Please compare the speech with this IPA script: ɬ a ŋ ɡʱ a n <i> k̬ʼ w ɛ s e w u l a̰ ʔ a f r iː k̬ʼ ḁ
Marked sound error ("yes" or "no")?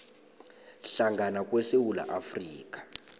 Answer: yes